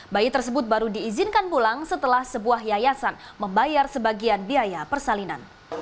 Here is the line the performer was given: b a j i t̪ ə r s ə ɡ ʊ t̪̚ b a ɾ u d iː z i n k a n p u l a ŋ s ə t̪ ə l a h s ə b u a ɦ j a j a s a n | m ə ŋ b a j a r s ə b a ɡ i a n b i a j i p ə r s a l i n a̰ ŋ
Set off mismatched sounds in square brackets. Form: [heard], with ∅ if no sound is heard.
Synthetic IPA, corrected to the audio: b a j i t̪ ə r s ə [b] ʊ t̪̚ b a ɾ u d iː z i n k a n p u l a ŋ s ə t̪ ə l a h s ə b u a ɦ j a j a s a n | m ə [m] b a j a r s ə b a ɡ i a n b i a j [a] p ə r s a l i n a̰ [n]